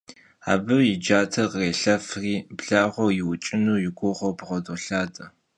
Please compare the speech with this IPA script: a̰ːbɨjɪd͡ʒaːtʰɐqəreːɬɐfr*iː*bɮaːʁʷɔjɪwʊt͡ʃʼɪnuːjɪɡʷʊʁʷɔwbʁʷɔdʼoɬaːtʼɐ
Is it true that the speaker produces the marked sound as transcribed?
yes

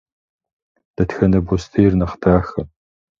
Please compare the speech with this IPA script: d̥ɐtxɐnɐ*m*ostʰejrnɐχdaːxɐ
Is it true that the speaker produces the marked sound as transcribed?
no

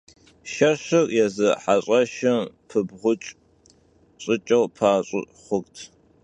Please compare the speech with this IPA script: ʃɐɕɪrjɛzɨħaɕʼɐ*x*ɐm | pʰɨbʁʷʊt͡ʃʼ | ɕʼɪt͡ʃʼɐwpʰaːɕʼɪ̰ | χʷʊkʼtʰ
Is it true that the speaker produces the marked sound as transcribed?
no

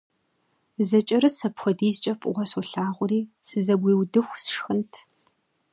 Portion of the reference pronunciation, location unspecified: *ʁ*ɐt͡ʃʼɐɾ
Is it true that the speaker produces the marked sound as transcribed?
no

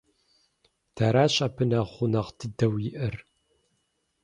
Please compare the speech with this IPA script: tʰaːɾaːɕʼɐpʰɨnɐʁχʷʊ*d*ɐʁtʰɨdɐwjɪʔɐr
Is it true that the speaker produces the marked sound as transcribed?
no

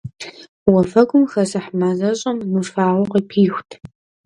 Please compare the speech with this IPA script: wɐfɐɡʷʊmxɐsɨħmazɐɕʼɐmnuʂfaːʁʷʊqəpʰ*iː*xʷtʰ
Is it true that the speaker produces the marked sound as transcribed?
yes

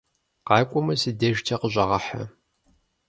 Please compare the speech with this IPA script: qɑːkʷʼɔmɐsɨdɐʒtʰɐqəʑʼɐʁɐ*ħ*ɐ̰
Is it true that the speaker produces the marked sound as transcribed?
yes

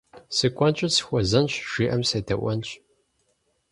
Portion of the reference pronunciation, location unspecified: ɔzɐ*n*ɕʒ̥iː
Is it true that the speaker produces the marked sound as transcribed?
yes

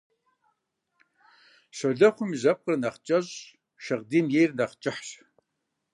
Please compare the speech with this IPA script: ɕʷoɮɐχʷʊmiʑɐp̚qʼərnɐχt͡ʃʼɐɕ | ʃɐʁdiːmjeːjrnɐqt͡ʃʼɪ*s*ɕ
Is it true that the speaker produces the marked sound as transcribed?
no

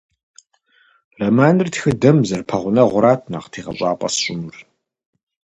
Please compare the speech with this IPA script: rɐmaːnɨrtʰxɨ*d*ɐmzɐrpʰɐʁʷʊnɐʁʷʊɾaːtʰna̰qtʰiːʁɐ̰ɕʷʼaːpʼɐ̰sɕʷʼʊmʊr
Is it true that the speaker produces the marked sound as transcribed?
yes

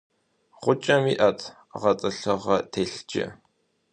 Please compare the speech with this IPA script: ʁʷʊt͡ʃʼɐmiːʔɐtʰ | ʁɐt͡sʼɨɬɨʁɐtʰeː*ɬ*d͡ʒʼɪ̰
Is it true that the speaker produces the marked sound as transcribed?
yes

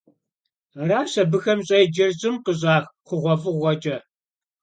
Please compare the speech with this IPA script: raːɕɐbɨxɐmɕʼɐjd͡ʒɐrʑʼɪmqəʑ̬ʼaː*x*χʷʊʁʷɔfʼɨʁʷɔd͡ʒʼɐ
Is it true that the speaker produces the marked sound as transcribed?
yes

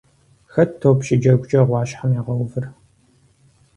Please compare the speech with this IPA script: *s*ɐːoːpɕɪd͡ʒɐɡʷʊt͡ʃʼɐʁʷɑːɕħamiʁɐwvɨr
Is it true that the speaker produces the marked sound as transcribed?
no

